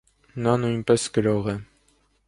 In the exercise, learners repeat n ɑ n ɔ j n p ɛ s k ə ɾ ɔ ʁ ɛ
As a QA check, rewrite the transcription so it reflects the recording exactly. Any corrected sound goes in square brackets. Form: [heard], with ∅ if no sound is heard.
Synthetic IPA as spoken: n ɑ n [u] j n p ɛ s k ə ɾ ɔ ʁ ɛ